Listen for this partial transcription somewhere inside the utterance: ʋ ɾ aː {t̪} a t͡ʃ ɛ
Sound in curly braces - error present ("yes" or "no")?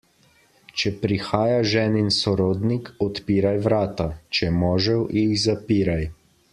no